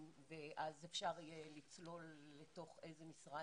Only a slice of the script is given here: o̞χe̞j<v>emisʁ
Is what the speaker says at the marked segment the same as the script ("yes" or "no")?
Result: no